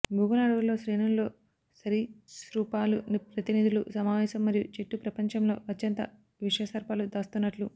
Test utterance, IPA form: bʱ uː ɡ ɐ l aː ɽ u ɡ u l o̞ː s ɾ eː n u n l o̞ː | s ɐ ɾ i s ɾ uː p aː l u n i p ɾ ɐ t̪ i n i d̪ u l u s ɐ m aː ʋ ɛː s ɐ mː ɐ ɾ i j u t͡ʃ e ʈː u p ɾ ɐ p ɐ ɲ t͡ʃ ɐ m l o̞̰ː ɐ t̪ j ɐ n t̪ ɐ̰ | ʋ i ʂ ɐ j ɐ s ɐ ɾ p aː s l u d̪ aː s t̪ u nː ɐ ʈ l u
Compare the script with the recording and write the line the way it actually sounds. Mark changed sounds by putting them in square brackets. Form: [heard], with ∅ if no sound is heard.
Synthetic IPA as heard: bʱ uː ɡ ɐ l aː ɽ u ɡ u l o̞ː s ɾ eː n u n l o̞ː | s ɐ ɾ i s ɾ uː p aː l u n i p ɾ ɐ t̪ i n i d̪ u l u s ɐ m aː ʋ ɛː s ɐ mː ɐ ɾ i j u t͡ʃ e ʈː u p ɾ ɐ p ɐ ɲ t͡ʃ ɐ m l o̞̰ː ɐ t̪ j ɐ n t̪ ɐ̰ | ʋ i ʂ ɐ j ɐ s ɐ ɾ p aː [∅] l u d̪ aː s t̪ u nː ɐ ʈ l u